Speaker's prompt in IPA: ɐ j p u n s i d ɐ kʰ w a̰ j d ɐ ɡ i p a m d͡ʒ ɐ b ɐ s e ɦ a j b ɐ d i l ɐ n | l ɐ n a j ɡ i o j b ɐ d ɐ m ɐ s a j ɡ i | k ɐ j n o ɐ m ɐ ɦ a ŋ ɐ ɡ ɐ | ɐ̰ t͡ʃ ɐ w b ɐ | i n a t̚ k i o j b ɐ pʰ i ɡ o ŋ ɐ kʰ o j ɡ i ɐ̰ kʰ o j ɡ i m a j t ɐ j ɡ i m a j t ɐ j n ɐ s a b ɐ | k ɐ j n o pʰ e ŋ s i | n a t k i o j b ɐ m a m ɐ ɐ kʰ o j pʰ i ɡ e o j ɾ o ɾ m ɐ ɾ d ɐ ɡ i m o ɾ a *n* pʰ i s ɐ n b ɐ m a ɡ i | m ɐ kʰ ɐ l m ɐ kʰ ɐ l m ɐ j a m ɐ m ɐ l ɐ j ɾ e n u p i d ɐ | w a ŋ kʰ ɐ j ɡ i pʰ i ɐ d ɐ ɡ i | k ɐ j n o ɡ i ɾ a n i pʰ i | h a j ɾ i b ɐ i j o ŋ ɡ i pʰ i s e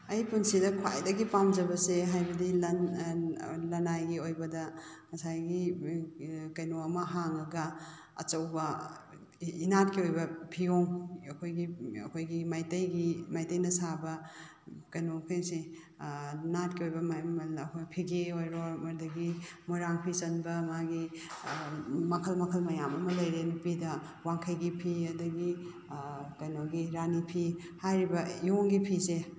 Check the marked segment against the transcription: incorrect: ŋ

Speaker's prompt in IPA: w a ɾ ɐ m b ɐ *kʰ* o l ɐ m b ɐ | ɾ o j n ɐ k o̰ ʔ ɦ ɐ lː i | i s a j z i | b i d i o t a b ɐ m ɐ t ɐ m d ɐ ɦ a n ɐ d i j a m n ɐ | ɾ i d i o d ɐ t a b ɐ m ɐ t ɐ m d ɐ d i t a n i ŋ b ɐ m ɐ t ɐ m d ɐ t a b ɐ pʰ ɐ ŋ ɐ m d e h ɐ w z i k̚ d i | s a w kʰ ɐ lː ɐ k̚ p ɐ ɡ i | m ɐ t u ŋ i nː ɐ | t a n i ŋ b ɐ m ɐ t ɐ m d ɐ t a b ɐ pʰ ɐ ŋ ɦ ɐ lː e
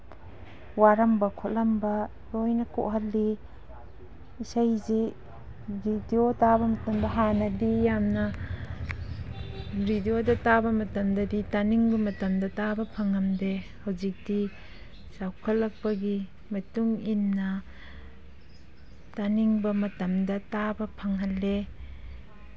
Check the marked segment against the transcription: correct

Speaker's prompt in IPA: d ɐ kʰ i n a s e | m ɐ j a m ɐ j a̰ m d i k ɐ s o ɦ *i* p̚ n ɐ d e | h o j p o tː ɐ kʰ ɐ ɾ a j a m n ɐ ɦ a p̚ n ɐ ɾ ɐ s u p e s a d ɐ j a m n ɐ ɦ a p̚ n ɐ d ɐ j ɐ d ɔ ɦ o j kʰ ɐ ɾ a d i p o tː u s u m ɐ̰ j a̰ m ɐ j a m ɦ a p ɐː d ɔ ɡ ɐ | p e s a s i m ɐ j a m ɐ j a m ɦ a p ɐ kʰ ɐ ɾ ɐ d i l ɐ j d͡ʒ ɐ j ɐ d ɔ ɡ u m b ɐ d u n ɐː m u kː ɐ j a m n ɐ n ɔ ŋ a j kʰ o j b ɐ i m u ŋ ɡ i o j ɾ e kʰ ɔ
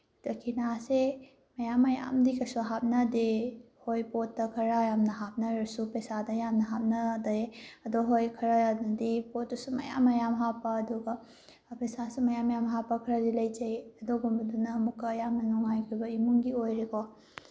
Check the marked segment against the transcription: incorrect: a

